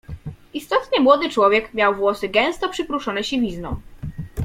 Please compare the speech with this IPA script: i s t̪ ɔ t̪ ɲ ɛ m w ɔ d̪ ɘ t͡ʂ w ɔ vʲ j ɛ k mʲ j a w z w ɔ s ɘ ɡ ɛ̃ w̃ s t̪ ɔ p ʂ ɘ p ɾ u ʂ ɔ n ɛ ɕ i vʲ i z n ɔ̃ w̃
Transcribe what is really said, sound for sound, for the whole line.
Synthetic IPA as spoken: i s t̪ ɔ t̪ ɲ ɛ m w ɔ d̪ ɘ t͡ʂ w ɔ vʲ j ɛ k mʲ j a w v w ɔ s ɘ ɡ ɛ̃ w̃ s t̪ ɔ p ʂ ɘ p ɾ u ʂ ɔ n ɛ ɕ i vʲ i z n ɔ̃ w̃